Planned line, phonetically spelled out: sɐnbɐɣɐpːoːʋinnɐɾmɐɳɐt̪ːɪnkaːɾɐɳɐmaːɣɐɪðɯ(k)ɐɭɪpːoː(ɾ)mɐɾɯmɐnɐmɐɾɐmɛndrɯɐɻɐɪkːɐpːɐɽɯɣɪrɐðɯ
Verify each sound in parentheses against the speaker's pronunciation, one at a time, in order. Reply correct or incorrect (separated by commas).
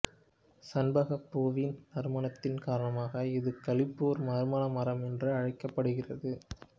correct, correct